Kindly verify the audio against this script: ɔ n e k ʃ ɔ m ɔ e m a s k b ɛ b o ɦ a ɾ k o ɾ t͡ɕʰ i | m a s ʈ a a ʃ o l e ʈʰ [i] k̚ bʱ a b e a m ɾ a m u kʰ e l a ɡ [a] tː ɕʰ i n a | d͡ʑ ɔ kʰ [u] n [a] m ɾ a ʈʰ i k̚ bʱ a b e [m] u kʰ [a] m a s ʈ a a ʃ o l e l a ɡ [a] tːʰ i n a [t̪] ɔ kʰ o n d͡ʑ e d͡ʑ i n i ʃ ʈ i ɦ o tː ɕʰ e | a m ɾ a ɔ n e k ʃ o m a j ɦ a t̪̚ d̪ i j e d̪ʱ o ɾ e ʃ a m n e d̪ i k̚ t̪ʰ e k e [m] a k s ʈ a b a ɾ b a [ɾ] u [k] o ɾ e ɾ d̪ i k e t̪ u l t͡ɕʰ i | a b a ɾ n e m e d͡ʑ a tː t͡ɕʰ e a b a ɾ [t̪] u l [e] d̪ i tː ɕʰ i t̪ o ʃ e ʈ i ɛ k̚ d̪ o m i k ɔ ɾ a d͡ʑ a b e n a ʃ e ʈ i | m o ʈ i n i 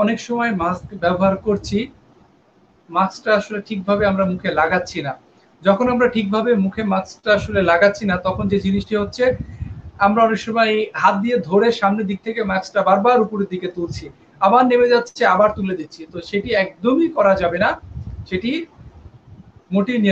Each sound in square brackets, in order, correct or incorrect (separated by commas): correct, correct, incorrect, correct, correct, incorrect, correct, correct, correct, correct, incorrect, correct, correct